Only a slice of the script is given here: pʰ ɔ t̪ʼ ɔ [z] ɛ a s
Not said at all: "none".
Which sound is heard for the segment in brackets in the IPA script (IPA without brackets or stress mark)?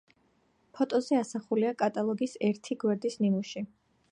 z